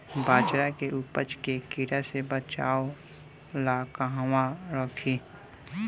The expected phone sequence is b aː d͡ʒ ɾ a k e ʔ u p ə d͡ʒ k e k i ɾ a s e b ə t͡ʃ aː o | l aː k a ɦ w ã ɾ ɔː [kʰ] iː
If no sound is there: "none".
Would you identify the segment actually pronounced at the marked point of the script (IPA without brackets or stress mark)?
kʰ